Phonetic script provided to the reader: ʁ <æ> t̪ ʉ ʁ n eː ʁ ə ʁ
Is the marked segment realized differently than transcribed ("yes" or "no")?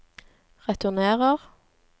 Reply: yes